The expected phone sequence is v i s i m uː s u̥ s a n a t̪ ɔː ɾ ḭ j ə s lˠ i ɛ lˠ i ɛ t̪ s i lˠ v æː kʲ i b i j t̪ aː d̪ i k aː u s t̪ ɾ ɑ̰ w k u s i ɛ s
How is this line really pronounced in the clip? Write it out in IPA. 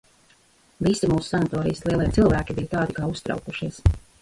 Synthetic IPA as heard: v i s i m uː s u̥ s a n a t̪ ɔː ɾ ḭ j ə s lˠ i ɛ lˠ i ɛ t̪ s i lˠ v æː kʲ i b i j t̪ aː d̪ i k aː u s t̪ ɾ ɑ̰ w k u ʃ i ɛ s